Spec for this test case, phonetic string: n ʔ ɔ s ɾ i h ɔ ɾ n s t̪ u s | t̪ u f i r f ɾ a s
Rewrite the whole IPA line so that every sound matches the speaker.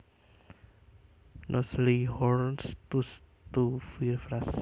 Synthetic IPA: n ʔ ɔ s l i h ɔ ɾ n s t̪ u s | t̪ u f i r f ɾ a s